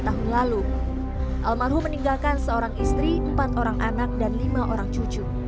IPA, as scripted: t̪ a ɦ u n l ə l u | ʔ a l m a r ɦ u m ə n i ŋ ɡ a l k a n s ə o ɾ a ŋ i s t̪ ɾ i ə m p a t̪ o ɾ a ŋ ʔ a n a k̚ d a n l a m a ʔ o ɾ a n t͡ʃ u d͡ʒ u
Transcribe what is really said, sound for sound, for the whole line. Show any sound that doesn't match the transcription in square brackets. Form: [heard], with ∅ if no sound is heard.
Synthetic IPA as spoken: t̪ a ɦ u n l [a] l u | ʔ a l m a r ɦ u m ə n i ŋ ɡ a l k a n s ə o ɾ a ŋ i s t̪ ɾ i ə m p a t̪ o ɾ a ŋ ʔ a n a k̚ d a n l [i] m a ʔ o ɾ a [ŋ] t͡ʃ u d͡ʒ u